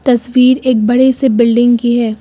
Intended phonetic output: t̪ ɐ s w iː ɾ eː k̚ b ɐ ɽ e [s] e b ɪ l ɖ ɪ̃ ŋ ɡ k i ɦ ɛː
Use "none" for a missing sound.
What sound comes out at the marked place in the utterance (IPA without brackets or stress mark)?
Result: s